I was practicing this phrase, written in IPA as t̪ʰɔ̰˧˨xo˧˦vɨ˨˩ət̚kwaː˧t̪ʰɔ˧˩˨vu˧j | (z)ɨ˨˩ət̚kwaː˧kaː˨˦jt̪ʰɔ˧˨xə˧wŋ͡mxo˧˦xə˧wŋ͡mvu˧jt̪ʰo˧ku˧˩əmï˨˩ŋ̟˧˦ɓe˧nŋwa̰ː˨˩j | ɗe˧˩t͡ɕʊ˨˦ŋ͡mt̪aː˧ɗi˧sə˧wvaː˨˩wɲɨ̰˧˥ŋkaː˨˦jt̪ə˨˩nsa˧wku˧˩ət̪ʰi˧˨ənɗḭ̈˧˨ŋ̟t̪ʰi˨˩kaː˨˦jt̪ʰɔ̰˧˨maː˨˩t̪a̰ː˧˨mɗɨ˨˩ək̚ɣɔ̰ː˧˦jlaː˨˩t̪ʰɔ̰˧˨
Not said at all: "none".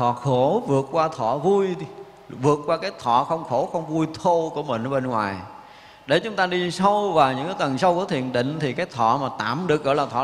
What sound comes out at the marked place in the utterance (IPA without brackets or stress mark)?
v